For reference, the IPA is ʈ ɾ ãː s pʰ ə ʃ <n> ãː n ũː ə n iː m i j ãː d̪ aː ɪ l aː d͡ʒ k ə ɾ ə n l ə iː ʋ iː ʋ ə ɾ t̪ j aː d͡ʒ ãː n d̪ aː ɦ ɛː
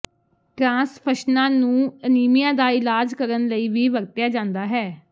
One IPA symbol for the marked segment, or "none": n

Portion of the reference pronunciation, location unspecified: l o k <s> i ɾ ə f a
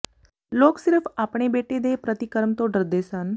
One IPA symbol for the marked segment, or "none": s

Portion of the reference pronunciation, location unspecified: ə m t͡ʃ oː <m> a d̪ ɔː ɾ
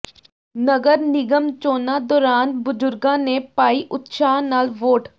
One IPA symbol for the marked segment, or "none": n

